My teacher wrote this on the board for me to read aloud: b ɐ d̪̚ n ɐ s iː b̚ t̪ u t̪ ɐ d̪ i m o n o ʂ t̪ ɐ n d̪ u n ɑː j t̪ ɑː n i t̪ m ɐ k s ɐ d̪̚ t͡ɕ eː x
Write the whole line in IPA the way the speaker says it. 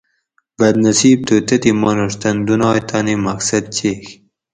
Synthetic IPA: b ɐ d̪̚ n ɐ s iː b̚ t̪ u t̪ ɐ t̪ i m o n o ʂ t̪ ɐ n d̪ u n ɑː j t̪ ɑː n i m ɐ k s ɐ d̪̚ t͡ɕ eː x

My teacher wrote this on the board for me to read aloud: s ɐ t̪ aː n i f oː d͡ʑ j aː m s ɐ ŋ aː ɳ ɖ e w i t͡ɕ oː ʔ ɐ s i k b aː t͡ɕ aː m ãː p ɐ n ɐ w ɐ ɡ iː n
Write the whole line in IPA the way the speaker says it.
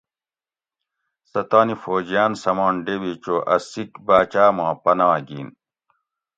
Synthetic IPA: s ɐ t̪ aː n i f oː d͡ʑ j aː n s ɐ m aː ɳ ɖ e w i t͡ɕ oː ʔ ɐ s i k b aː t͡ɕ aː m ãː p ɐ n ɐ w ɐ ɡ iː n

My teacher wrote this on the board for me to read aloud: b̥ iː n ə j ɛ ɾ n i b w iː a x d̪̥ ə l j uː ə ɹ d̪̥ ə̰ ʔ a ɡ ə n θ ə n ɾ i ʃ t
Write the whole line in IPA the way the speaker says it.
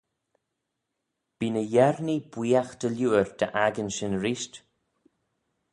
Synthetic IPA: b̥ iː n ə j ɛ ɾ n i b w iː a x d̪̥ ə l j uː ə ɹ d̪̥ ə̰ ʔ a ɡ ə n ʃ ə n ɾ i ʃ t

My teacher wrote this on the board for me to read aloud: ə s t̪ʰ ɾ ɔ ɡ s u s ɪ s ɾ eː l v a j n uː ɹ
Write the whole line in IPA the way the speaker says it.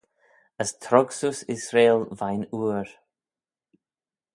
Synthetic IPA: ə s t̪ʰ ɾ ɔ ɡ s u s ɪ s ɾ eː l v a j n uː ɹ

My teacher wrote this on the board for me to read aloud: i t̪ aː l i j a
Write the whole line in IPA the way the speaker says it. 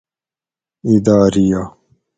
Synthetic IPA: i d̪ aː ɾ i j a

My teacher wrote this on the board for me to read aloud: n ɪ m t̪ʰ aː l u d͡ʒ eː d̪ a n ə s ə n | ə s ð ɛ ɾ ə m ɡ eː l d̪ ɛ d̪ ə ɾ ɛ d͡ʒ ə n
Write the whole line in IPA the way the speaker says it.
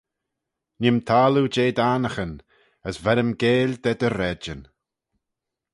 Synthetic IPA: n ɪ m t̪ʰ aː l u d͡ʒ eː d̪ a n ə x ə n | ə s v ɛ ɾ ə m ɡ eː l d̪ ɛ d̪ ə ɾ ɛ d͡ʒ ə n

